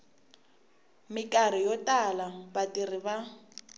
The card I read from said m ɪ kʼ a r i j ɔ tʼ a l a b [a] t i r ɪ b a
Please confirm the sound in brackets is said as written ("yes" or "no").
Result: yes